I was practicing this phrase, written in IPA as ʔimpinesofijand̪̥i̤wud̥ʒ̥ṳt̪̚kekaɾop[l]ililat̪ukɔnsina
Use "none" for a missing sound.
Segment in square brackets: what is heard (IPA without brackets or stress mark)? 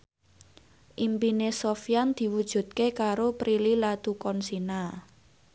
ɾ